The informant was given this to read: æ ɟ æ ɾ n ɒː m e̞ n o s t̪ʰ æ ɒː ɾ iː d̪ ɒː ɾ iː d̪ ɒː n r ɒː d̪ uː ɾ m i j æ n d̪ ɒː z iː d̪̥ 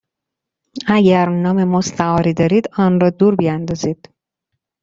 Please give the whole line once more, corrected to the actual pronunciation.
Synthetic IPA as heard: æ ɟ æ ɾ n ɒː m e̞ m o s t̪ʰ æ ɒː ɾ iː d̪ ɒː ɾ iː d̪ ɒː n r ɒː d̪ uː ɾ b i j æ n d̪ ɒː z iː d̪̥